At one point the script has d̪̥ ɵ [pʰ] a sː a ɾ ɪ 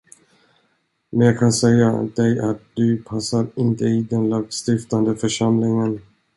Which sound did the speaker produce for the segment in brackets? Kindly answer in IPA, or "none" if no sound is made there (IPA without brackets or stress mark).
pʰ